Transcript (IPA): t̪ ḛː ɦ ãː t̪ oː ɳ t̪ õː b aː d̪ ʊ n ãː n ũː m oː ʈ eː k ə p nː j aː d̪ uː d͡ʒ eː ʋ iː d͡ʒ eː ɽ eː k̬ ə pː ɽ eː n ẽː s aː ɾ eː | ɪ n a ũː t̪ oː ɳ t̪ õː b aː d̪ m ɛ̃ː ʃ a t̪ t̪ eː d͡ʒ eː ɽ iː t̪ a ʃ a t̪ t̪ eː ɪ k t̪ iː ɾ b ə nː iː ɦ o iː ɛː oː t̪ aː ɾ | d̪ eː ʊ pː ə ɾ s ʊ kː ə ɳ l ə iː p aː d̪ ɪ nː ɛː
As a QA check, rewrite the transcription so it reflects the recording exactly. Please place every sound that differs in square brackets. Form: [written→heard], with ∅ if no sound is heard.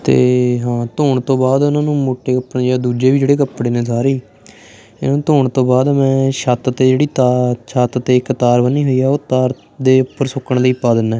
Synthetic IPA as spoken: t̪ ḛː ɦ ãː t̪ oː ɳ t̪ õː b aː d̪ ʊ n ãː n ũː m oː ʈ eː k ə p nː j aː d̪ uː d͡ʒ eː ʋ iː d͡ʒ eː ɽ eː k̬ ə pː ɽ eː n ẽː s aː ɾ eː | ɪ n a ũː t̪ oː ɳ t̪ õː b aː d̪ m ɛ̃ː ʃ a t̪ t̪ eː d͡ʒ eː ɽ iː t̪ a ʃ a t̪ t̪ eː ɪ k t̪ [iː→aː] ɾ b ə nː iː ɦ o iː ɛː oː t̪ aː ɾ | d̪ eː ʊ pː ə ɾ s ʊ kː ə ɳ l ə iː p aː d̪ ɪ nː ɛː